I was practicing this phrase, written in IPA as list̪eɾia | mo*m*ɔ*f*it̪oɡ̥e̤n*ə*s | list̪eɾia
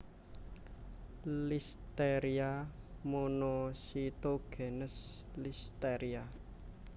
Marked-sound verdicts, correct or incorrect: incorrect: n, incorrect: s, correct

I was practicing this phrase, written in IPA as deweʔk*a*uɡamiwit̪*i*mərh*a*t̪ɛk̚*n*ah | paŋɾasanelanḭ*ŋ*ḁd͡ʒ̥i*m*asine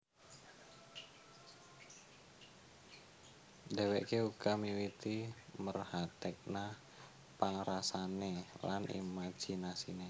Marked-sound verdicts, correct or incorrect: incorrect: e, correct, correct, correct, incorrect: m, incorrect: n

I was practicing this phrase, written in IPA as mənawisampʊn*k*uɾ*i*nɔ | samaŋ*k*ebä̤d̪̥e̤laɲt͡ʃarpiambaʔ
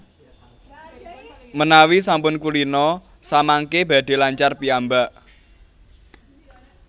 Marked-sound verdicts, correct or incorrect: correct, correct, correct

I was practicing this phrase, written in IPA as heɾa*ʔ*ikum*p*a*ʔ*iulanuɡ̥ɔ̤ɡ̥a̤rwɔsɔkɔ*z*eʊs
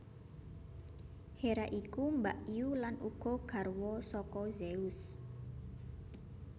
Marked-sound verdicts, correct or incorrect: correct, incorrect: b, correct, correct

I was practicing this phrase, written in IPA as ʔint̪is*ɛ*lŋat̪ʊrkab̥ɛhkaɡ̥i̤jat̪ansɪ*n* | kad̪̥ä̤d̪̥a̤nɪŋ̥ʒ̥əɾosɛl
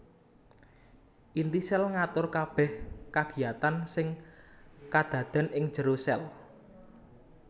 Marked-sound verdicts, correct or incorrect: correct, incorrect: ŋ

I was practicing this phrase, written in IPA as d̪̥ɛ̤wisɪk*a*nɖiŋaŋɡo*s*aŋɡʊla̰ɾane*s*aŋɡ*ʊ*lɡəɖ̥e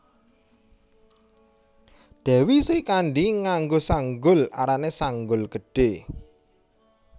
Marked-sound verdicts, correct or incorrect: correct, correct, correct, correct

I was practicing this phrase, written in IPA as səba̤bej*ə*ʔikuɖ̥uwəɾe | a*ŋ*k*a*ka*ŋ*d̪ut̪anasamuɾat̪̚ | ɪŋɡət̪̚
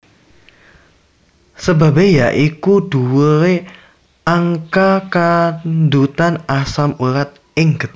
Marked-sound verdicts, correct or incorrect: incorrect: a, correct, correct, incorrect: n

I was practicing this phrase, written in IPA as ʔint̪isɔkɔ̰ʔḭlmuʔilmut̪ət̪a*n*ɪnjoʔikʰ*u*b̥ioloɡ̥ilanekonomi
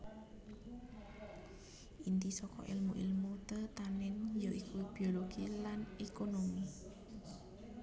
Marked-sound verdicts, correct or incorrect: correct, correct

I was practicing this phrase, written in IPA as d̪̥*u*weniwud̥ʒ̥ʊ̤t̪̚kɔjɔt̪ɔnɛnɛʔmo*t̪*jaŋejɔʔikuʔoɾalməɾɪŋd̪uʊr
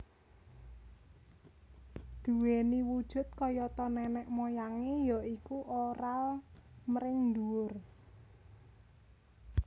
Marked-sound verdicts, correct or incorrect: correct, incorrect: none

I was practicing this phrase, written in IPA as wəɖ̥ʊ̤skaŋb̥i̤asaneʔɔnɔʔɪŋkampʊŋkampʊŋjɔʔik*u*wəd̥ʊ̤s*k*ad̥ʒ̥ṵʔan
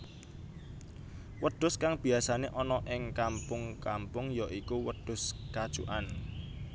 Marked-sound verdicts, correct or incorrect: correct, correct

